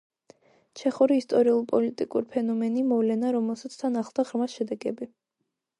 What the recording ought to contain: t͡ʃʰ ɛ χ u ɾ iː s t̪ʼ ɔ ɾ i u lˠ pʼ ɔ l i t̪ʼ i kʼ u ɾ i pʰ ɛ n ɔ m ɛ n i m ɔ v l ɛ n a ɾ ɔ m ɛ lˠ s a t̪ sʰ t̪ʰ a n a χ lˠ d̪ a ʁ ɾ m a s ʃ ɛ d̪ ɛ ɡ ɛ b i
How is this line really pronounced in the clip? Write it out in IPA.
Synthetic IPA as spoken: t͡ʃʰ ɛ χ u ɾ iː s t̪ʼ ɔ ɾ i u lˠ pʼ ɔ l i t̪ʼ i kʼ u ɾ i pʰ ɛ n ɔ m ɛ n i m ɔ v l ɛ n a ɾ ɔ m ɛ lˠ s a t̪ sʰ t̪ʰ a n a χ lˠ d̪ a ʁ ɾ m a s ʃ ɛ d̪ ɛ ɡ ɛ b i